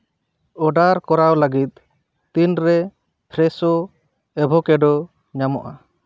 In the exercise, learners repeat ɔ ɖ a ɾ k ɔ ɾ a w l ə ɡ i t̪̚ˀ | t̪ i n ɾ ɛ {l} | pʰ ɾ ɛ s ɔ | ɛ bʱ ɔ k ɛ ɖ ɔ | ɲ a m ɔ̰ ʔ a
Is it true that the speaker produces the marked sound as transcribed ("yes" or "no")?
no